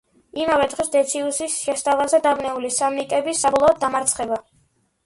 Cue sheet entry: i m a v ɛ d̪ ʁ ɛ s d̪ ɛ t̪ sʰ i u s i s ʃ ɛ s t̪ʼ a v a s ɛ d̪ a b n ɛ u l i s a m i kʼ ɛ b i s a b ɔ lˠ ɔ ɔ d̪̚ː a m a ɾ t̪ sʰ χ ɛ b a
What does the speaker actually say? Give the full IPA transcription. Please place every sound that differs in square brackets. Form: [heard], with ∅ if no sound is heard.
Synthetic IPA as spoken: i m a v ɛ d̪ ʁ ɛ s d̪ ɛ t̪ sʰ i u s i s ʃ ɛ s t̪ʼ a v a [z] ɛ d̪ a b n ɛ u l i s a m i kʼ ɛ b i s a b ɔ lˠ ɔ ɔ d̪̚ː a m a ɾ t̪ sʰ χ ɛ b a